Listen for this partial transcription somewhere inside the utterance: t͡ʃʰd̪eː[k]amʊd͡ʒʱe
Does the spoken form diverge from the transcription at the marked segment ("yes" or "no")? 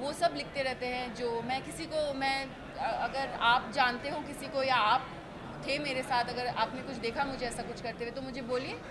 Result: yes